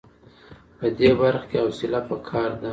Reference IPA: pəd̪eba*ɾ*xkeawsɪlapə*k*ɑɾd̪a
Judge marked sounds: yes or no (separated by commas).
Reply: yes, no